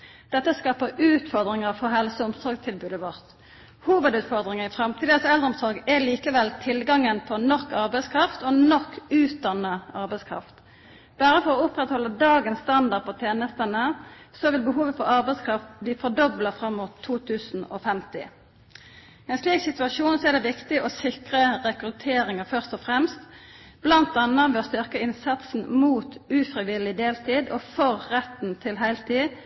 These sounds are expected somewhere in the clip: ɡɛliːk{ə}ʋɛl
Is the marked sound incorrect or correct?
correct